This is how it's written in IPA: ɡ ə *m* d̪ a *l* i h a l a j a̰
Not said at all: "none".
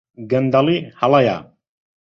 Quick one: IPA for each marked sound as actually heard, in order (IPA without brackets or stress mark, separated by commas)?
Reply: n, l